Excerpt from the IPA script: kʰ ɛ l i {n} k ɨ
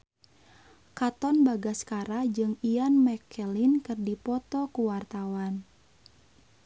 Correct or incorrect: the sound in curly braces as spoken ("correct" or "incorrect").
correct